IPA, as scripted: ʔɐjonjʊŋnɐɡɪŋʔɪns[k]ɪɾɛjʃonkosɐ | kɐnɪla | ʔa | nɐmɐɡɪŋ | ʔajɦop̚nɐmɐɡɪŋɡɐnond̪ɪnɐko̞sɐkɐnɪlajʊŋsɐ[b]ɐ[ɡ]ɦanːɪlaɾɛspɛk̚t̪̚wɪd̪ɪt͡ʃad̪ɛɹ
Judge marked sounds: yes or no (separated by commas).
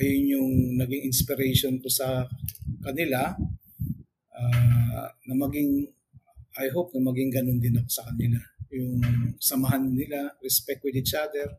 no, no, no